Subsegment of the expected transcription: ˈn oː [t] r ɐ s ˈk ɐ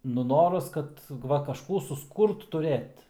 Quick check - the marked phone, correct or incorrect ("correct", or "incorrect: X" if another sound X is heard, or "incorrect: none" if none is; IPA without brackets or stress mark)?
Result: incorrect: none